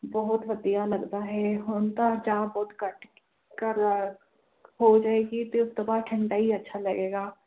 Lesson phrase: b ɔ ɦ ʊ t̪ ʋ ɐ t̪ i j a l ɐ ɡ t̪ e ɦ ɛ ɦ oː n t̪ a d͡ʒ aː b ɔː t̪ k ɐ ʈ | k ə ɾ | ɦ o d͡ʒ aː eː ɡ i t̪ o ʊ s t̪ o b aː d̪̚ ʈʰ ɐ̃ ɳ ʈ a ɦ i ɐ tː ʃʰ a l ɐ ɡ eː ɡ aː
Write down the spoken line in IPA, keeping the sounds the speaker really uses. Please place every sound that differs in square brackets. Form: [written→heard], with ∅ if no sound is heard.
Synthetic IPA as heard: b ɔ ɦ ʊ t̪ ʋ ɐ [t̪→d̪] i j a l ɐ ɡ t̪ [e→a] ɦ ɛ ɦ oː n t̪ a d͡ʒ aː b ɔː t̪ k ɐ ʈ | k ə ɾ | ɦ o d͡ʒ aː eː ɡ i t̪ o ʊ s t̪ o b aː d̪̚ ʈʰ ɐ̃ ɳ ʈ a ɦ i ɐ tː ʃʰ a l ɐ ɡ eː ɡ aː